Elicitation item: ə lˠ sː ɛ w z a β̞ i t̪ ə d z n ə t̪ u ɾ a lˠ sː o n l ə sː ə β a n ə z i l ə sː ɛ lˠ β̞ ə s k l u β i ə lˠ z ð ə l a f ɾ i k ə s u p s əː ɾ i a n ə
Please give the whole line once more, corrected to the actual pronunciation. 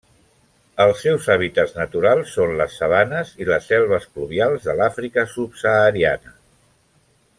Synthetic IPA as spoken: ə lˠ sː ɛ w z a β̞ i t̪ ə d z n ə t̪ u ɾ a lˠ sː o n l ə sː ə β a n ə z i l ə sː ɛ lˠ β̞ ə s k l u β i a lˠ z ð ə l a f ɾ i k ə s u p s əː ɾ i a n ə